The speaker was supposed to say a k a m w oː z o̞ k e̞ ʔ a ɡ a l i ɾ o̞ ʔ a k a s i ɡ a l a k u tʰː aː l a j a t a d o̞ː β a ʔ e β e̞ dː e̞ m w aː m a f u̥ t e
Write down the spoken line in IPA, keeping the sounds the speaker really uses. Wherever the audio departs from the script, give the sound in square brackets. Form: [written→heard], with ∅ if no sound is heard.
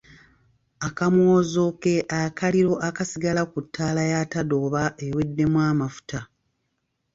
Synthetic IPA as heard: a k a m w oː z o̞ k e̞ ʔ a [ɡ→k] a l i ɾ o̞ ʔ a k a s i ɡ a l a k u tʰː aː l a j a t a d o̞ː β a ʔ e [β→w] e̞ dː e̞ m w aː m a f u̥ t [e→a]

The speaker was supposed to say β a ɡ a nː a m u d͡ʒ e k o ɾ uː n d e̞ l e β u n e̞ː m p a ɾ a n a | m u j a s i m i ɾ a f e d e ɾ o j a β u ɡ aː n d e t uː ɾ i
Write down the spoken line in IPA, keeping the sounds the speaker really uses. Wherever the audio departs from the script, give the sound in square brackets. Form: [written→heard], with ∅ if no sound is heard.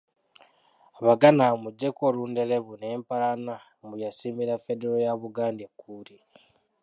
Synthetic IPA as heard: β a ɡ a [nː→n] a m u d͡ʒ e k o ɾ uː n d e̞ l e β u n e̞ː m p a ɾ a n a | m u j a s i m i ɾ a f e d e ɾ o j a β u ɡ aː n d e [t→k] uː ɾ i

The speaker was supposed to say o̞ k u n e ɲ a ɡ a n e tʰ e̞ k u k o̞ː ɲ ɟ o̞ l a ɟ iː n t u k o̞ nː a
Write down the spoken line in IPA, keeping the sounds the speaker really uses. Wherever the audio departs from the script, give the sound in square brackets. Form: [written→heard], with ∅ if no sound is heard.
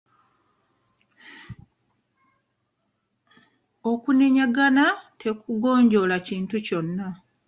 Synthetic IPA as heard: o̞ k u n e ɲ a ɡ a n [e→a] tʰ e̞ k u [k→ɡ] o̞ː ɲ ɟ o̞ l a [ɟ→c] iː n t u [k→c] o̞ nː a

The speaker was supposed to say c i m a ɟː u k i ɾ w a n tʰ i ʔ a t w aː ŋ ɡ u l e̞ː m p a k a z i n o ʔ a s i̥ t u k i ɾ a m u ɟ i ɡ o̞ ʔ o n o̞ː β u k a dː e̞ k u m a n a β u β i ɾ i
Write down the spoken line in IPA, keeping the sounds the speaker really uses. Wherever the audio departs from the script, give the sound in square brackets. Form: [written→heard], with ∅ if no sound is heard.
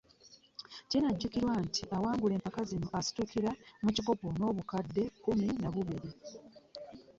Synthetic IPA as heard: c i [m→n] a ɟː u k i ɾ w a n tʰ i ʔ a [t→∅] w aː ŋ ɡ u l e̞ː m p a k a z i n o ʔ a s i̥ t u k i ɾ a m u [ɟ→c] i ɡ o̞ [ʔ→p] o n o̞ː β u k a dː e̞ k u m [a→i] n a β u β i ɾ i

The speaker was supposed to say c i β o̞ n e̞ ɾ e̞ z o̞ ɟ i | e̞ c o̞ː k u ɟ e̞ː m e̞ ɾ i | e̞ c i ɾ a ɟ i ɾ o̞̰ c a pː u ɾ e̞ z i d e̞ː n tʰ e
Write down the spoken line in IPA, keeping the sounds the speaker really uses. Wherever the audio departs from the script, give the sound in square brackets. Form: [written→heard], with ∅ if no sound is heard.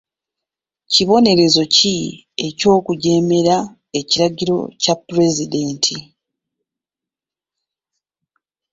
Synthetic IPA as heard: c i β o̞ n e̞ ɾ e̞ z o̞ [ɟ→c] i | e̞ c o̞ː k u ɟ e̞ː m e̞ ɾ [i→a] | e̞ c i ɾ a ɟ i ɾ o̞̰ c a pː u ɾ e̞ z i d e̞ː n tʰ [e→i]

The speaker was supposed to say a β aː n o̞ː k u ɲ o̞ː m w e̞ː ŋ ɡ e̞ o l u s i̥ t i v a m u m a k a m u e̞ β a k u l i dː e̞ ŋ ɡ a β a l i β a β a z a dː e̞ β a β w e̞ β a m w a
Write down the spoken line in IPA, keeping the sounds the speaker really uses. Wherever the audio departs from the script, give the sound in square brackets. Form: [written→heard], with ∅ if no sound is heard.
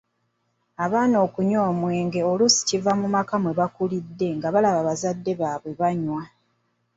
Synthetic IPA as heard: a β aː n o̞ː k u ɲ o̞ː m w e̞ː ŋ ɡ e̞ o l u s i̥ [t→c] i v a m u m a k a m [u→w] e̞ β a k u l i dː e̞ ŋ ɡ a β a l [i→a] β a β a z a dː e̞ β a β w e̞ β a [m→ɲ] w a

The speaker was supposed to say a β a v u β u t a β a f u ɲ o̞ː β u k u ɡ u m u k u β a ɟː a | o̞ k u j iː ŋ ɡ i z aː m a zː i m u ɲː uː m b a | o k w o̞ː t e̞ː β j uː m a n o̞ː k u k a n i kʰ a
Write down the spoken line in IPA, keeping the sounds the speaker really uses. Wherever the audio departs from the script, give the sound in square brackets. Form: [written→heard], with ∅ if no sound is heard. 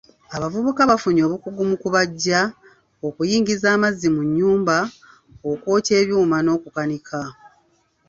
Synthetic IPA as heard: a β a v u β u [t→k] a β a f u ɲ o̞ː β u k u ɡ u m u k u β a ɟː a | o̞ k u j iː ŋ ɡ i z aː m a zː i m u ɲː uː m b a | o k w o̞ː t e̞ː β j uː m a n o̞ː k u k a n i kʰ a

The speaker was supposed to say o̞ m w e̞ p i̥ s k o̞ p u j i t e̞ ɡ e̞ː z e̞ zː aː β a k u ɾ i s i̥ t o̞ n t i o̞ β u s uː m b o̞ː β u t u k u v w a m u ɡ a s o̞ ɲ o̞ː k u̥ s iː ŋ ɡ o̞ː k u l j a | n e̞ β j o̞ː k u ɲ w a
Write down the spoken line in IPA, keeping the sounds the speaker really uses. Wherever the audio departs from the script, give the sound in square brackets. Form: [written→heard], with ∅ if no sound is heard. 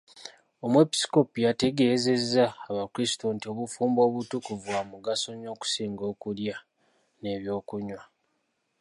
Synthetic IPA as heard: o̞ m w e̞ p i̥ s k o̞ p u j [i→a] t e̞ ɡ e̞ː z e̞ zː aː β a k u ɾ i s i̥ t o̞ n t i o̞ β u [s→f] uː m b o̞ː β u t u k u v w a m u ɡ a s o̞ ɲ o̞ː k u̥ s iː ŋ ɡ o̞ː k u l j a | n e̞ β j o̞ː k u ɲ w a

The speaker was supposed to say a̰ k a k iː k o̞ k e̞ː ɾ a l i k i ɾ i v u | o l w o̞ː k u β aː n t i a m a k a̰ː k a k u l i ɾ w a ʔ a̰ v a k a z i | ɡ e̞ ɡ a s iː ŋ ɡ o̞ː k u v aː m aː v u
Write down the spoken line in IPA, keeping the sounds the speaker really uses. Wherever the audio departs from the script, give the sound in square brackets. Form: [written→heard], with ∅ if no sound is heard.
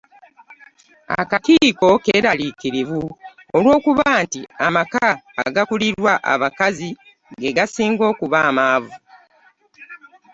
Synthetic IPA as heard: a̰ k a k iː k o̞ k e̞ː ɾ a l i k i ɾ i v u | o l w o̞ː k u β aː n t i a m a k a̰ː [k→ɡ] a k u l i ɾ w a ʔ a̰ [v→β] a k a z i | ɡ e̞ ɡ a s iː ŋ ɡ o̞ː k u [v→β] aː m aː v u

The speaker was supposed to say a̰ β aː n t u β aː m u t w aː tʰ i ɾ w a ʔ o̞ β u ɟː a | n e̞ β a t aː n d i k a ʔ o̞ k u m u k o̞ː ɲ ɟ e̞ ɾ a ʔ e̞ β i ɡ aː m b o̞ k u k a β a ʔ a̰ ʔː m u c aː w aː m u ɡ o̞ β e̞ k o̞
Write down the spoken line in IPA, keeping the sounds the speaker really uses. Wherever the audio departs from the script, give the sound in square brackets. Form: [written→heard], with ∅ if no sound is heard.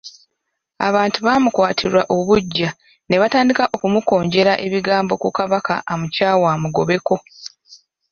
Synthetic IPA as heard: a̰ β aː n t u β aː m u [t→k] w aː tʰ i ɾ w a ʔ o̞ β u ɟː a | n e̞ β a t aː n d i k a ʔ o̞ k u m u k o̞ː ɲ ɟ e̞ ɾ a ʔ e̞ β i ɡ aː m b o̞ k u k a β a [ʔ→k] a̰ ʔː m u c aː w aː m u ɡ o̞ β e̞ k o̞

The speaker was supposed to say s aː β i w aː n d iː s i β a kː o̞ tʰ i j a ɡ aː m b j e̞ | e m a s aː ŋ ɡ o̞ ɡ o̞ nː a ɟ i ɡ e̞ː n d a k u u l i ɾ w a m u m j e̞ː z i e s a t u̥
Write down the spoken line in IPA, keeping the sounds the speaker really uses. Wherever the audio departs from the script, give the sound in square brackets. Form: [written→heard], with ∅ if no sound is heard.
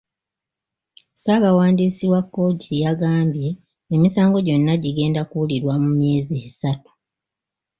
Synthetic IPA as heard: s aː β [i→a] w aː n d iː s i [β→w] a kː o̞ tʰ i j a ɡ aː m b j e̞ | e m [a→i] s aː ŋ ɡ o̞ [ɡ→ɟ] o̞ nː a ɟ i ɡ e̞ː n d a k u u l i ɾ w a m u m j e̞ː z i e s a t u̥

